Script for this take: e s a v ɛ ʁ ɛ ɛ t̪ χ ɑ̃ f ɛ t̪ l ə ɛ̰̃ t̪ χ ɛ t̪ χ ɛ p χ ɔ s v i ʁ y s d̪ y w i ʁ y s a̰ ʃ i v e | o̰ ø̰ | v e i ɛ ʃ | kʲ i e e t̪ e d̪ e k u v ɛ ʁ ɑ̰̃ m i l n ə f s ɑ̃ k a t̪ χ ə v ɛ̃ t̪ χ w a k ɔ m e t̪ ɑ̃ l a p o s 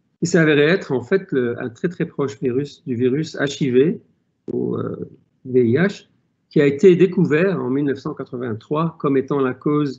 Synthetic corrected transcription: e s a v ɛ ʁ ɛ ɛ t̪ χ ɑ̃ f ɛ t̪ l ə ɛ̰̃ t̪ χ ɛ t̪ χ ɛ p χ ɔ ʃ v i ʁ y s d̪ y v i ʁ y s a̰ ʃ i v e | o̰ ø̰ | v e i a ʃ | kʲ i a e t̪ e d̪ e k u v ɛ ʁ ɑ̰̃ m i l n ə f s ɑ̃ k a t̪ χ ə v ɛ̃ t̪ χ w a k ɔ m e t̪ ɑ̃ l a k o z